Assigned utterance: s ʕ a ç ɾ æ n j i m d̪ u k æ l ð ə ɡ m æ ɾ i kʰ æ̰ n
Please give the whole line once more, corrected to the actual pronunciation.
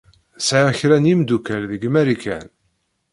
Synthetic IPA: s ʕ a ç ɾ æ n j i m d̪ u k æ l ð ə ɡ m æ ɾ i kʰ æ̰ n

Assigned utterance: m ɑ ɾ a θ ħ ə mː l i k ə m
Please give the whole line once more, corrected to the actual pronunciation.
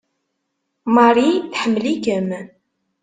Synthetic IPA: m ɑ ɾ i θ ħ ə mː l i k ə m

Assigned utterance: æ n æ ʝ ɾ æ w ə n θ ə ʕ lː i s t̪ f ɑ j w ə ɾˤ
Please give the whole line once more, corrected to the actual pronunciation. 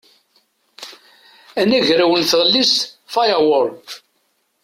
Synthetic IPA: æ n æ ʝ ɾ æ w ə n θ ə ʁ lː i s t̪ f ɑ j w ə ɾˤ

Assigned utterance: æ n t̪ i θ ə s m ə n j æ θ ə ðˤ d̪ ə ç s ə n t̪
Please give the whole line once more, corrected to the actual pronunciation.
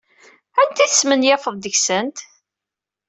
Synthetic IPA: æ n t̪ i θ ə s m ə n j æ f ə ðˤ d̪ ə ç s ə n t̪

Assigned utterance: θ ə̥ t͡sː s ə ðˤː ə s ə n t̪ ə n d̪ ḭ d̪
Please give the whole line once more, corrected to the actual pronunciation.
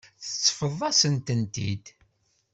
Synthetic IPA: θ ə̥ t͡sː f ə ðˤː ɑ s ə n t̪ ə n t̪ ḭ d̪

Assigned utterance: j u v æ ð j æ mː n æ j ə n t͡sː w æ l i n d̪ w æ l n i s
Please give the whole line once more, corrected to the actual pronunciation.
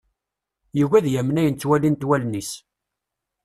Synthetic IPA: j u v æ ð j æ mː n æ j ə n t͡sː w æ l i n t̪ w æ l n i s

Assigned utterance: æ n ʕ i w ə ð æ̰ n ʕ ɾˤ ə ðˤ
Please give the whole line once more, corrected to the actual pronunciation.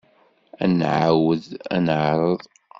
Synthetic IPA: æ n ʕ a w ə ð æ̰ n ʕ ɾˤ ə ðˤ

